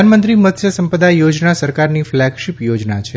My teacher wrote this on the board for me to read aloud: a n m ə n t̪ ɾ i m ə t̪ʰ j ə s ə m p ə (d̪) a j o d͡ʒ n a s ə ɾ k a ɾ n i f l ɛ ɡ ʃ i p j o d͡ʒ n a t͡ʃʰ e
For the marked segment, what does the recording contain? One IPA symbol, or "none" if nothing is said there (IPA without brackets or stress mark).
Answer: d̪